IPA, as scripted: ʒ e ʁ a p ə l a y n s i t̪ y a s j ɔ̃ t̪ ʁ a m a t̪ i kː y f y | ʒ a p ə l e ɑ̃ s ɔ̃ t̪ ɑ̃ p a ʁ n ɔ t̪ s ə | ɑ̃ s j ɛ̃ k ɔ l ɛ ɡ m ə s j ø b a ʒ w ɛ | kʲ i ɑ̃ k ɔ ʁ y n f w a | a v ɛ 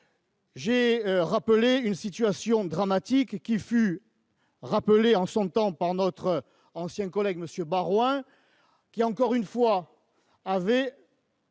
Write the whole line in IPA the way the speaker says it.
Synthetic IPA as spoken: ʒ e ʁ a p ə l e y n s i t̪ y a s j ɔ̃ d̪ ʁ a m a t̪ i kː i f y | ʁ a p ə l e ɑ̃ s ɔ̃ t̪ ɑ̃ p a ʁ n ɔ t̪ χ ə | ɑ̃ s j ɛ̃ k ɔ l ɛ ɡ m ə s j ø b a ʁ w ɛ̃ | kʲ i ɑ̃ k ɔ ʁ y n f w a | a v ɛ

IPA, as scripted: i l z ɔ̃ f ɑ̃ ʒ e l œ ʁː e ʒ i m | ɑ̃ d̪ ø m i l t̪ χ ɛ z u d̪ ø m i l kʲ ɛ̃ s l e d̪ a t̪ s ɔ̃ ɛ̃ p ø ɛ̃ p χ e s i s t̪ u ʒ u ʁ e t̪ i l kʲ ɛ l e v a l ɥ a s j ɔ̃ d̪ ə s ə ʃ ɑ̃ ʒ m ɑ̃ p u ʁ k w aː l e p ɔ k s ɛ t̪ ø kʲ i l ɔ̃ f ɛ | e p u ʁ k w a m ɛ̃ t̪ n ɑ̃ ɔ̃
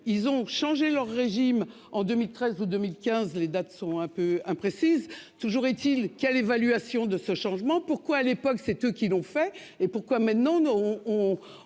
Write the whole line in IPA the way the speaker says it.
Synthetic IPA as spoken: i l z ɔ̃ ʃ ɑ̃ ʒ e l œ ʁː e ʒ i m | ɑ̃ d̪ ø m i l t̪ χ ɛ z u d̪ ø m i l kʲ ɛ̃ z l e d̪ a t̪ s ɔ̃ ɛ̃ p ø ɛ̃ p χ e s i z t̪ u ʒ u ʁ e t̪ i l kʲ ɛ l e v a l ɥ a s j ɔ̃ d̪ ə s ə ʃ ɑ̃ ʒ m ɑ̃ p u ʁ k w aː l e p ɔ k s ɛ t̪ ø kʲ i l ɔ̃ f ɛ | e p u ʁ k w a m ɛ̃ t̪ n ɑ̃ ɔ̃

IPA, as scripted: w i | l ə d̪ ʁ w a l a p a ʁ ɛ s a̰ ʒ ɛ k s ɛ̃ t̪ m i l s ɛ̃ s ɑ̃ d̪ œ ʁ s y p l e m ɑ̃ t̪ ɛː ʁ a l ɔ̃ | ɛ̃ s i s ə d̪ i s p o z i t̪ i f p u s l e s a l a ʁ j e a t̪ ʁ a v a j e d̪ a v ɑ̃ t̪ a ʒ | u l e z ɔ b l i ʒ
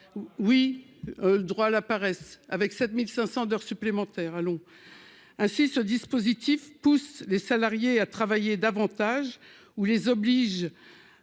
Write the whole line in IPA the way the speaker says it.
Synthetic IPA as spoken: w i | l ə d̪ ʁ w a l a p a ʁ ɛ s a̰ v ɛ k s ɛ t̪ m i l s ɛ̃ s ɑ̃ d̪ œ ʁ s y p l e m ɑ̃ t̪ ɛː ʁ a l ɔ̃ | ɛ̃ s i s ə d̪ i s p o z i t̪ i f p u s l e s a l a ʁ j e a t̪ χ a v a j e d̪ a v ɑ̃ t̪ a ʒ | u l e z ɔ b l i ʒ

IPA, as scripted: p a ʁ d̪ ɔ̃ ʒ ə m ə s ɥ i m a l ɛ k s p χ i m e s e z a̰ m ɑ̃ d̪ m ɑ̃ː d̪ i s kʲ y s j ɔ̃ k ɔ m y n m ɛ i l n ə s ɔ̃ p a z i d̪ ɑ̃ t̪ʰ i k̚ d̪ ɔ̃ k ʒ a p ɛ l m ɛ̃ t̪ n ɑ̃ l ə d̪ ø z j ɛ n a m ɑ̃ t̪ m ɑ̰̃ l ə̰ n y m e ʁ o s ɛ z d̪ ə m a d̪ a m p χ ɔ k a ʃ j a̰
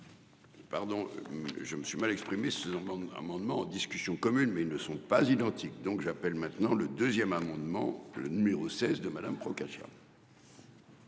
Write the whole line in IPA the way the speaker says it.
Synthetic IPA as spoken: p a ʁ d̪ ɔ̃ ʒ ə m ə s ɥ i m a l ɛ k s p χ i m e s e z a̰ m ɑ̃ d̪ m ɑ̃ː d̪ i s kʲ y s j ɔ̃ k ɔ m y n m ɛ i l n ə s ɔ̃ p a z i d̪ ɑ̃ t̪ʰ i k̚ d̪ ɔ̃ k ʒ a p ɛ l m ɛ̃ t̪ n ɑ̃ l ə d̪ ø z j ɛ m a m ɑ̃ d̪ m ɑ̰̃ l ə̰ n y m e ʁ o s ɛ z d̪ ə m a d̪ a m p χ ɔ k a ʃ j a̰

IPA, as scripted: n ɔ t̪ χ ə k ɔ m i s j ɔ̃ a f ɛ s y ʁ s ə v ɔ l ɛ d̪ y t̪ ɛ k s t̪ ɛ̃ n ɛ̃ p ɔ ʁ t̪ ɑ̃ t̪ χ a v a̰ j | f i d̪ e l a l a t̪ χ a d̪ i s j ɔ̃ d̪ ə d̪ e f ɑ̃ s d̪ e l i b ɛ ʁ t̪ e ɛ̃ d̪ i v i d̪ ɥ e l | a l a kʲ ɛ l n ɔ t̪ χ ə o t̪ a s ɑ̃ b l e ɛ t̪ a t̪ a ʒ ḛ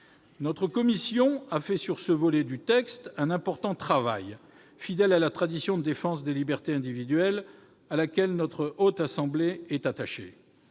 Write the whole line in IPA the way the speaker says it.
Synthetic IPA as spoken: n ɔ t̪ χ ə k ɔ m i s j ɔ̃ a f ɛ s y ʁ s ə v ɔ l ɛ d̪ y t̪ ɛ k s t̪ ɛ̃ n ɛ̃ p ɔ ʁ t̪ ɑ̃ t̪ χ a v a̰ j | f i d̪ ɛ l a l a t̪ χ a d̪ i s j ɔ̃ d̪ ə d̪ e f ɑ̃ s d̪ e l i b ɛ ʁ t̪ e ɛ̃ d̪ i v i d̪ ɥ ɛ l | a l a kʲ ɛ l n ɔ t̪ χ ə o t̪ a s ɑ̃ b l e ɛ t̪ a t̪ a ʃ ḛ

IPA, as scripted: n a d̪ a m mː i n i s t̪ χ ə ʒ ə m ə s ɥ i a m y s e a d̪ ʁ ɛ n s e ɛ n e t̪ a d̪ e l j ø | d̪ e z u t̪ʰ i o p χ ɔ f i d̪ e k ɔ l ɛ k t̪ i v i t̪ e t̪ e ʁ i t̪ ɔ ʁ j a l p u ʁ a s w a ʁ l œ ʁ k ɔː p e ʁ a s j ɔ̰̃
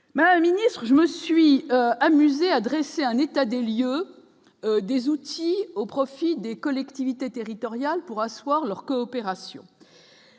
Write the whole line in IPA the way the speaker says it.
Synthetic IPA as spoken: m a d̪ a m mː i n i s t̪ χ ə ʒ ə m ə s ɥ i a m y z e a d̪ ʁ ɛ s e ɛ̃ n e t̪ a d̪ e l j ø | d̪ e z u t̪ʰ i o p χ ɔ f i d̪ e k ɔ l ɛ k t̪ i v i t̪ e t̪ e ʁ i t̪ ɔ ʁ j a l p u ʁ a s w a ʁ l œ ʁ k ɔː p e ʁ a s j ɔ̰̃

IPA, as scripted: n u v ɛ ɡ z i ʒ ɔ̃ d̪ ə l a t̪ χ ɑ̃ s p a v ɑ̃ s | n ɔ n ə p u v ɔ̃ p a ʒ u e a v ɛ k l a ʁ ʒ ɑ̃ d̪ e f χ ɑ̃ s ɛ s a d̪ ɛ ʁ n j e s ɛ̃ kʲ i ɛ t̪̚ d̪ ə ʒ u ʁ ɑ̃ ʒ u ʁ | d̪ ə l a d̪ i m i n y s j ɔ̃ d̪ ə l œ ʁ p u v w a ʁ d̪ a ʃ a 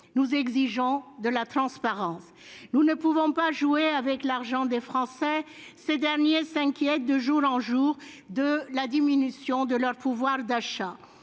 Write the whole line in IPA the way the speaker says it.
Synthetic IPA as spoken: n u z ɛ ɡ z i ʒ ɔ̃ d̪ ə l a t̪ χ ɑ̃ s p a ʁ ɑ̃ s | n u n ə p u v ɔ̃ p a ʒ u e a v ɛ k l a ʁ ʒ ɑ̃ d̪ e f χ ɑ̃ s ɛ s e d̪ ɛ ʁ n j e s ɛ̃ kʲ j ɛ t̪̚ d̪ ə ʒ u ʁ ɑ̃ ʒ u ʁ | d̪ ə l a d̪ i m i n y s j ɔ̃ d̪ ə l œ ʁ p u v w a ʁ d̪ a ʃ a

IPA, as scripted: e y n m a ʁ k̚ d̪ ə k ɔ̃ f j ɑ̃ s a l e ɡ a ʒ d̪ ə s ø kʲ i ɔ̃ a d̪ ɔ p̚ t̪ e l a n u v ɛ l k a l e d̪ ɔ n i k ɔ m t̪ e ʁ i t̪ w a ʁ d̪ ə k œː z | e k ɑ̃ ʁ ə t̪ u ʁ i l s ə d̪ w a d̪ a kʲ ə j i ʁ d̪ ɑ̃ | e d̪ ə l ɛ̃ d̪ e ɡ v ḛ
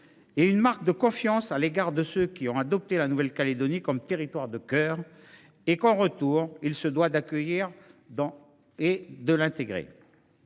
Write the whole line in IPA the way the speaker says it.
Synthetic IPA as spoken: e y n m a ʁ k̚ d̪ ə k ɔ̃ f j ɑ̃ s a l e ɡ a ʁ d̪ ə s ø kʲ i ɔ̃ a d̪ ɔ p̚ t̪ e l a n u v ɛ l k a l e d̪ ɔ n i k ɔ m t̪ e ʁ i t̪ w a ʁ d̪ ə k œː ʁ | e k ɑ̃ ʁ ə t̪ u ʁ i l s ə d̪ w a d̪ a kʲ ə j i ʁ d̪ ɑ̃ | e d̪ ə l ɛ̃ t̪ e ɡ ʁ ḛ

